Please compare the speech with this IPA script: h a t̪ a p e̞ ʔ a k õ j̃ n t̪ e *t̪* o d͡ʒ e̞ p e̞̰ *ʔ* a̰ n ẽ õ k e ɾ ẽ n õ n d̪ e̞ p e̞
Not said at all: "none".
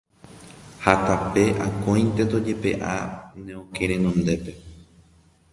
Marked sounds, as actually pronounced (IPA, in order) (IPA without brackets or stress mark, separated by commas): t̪, ʔ